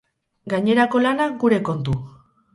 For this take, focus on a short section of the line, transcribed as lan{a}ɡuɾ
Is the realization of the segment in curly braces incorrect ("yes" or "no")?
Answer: no